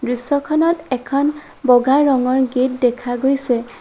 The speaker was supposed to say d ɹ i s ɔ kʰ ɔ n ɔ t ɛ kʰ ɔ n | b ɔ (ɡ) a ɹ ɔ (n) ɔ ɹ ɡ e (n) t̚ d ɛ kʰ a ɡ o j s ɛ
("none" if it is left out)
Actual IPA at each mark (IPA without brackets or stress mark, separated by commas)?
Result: ɡ, ŋ, none